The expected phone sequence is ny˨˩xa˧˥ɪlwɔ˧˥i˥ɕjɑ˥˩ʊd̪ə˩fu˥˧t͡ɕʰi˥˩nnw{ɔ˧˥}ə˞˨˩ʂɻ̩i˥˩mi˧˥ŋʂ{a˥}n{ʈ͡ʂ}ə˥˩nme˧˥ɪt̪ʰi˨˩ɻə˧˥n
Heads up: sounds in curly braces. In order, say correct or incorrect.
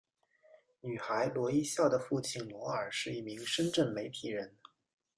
correct, incorrect: ə˥, correct

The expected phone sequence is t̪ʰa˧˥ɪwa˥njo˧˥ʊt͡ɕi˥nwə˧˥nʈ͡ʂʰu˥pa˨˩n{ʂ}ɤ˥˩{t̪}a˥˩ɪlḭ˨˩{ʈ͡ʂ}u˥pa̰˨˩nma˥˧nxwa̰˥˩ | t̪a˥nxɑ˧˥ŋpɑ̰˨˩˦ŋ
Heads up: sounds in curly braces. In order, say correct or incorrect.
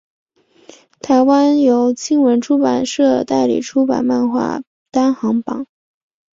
correct, correct, incorrect: ʈ͡ʂʰ

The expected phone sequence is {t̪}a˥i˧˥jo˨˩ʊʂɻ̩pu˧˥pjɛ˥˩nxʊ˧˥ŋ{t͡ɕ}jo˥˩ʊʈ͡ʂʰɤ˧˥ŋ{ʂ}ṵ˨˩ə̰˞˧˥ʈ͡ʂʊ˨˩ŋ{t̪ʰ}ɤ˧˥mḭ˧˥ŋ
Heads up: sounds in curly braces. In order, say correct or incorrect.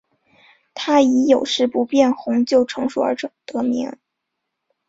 incorrect: t̪ʰ, correct, correct, incorrect: t̪

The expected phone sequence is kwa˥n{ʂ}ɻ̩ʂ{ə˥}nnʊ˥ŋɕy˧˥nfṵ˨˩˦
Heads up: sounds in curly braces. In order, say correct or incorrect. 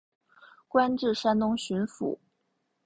incorrect: ʈ͡ʂ, incorrect: a˥

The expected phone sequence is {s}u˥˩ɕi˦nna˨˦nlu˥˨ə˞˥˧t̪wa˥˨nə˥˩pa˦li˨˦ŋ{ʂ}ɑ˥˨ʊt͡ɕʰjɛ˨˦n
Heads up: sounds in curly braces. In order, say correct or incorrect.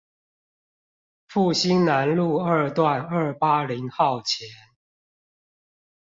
incorrect: f, incorrect: x

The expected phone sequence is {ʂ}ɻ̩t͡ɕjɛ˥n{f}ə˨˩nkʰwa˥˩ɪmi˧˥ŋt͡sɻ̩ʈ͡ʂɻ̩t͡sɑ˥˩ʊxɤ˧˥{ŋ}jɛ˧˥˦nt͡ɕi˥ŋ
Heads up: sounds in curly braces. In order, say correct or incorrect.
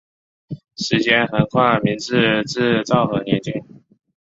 correct, incorrect: x, incorrect: n

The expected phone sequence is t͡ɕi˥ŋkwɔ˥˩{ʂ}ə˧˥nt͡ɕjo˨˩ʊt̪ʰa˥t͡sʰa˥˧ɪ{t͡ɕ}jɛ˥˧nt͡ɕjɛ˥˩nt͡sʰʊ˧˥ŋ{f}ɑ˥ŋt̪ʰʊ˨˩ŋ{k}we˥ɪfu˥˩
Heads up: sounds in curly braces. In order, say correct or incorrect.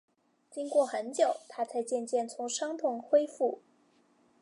incorrect: x, correct, incorrect: ʂ, incorrect: x

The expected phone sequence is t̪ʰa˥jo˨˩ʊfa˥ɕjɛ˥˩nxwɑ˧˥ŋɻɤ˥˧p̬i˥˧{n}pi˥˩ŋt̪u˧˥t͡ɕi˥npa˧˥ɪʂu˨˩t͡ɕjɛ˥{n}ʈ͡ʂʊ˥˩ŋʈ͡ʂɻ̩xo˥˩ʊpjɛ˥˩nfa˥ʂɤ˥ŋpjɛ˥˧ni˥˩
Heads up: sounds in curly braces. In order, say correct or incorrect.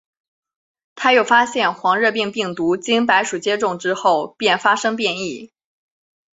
incorrect: ŋ, incorrect: none

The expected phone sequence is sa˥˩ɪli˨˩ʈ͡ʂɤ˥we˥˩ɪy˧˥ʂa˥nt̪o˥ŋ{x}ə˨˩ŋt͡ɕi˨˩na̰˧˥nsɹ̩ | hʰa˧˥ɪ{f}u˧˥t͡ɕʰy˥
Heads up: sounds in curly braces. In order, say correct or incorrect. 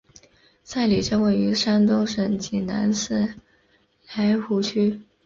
incorrect: ʂ, incorrect: x

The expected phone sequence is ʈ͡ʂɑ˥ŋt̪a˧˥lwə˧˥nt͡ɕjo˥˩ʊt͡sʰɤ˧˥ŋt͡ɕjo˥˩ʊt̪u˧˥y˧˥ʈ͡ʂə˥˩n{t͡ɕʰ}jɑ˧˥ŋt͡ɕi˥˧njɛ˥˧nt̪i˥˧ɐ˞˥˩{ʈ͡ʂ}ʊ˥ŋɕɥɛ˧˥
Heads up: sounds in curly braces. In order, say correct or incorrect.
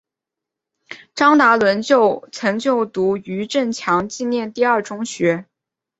correct, correct

